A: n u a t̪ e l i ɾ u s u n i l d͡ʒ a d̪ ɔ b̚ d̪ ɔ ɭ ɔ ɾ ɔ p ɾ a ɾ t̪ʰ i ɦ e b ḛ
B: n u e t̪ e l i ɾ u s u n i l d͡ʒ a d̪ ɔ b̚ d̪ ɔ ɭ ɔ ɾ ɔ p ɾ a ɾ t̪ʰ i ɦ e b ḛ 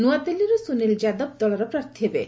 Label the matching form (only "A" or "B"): A